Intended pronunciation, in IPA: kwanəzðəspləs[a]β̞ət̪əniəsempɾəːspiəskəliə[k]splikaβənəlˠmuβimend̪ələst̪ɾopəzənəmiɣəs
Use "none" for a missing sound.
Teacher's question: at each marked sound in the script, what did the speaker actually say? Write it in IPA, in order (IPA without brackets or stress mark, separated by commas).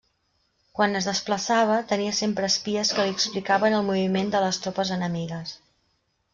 a, k